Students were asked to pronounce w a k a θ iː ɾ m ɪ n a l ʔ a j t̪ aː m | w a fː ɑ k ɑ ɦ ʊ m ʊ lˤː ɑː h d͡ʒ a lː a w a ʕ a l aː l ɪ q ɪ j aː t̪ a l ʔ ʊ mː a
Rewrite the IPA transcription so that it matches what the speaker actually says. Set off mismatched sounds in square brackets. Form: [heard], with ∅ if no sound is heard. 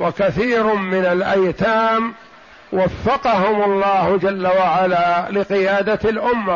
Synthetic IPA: w a k a θ iː ɾ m ɪ n a l ʔ a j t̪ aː m | w a fː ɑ [q] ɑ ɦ ʊ m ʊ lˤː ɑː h d͡ʒ a lː a w a ʕ a l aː l ɪ q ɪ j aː [d̪] a l ʔ ʊ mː a